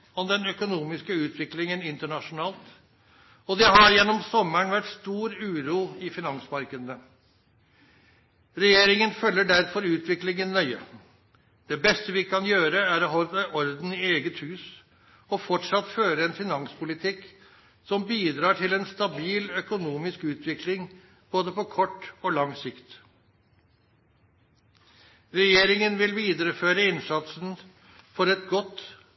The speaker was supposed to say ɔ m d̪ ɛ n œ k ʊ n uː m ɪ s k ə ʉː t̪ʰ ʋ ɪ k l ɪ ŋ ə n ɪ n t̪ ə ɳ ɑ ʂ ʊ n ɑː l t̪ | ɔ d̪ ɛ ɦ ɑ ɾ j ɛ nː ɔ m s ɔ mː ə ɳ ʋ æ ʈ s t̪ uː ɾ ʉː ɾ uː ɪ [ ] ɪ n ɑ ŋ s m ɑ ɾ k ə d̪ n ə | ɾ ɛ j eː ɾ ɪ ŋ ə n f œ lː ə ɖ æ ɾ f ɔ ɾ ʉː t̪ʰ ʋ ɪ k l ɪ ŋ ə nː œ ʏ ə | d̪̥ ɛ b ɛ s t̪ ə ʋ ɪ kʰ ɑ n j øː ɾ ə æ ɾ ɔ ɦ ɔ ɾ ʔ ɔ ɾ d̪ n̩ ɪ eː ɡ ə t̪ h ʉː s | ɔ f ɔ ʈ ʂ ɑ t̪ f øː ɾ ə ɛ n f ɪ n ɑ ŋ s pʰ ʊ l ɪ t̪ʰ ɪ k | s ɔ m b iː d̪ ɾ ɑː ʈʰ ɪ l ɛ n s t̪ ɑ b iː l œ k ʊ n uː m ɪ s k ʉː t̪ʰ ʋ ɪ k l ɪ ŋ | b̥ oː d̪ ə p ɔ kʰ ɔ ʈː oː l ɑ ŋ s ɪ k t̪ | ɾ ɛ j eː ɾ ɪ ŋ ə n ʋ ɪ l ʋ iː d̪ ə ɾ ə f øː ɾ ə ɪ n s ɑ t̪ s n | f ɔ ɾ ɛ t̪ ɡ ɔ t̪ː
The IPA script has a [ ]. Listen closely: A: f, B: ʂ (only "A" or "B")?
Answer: A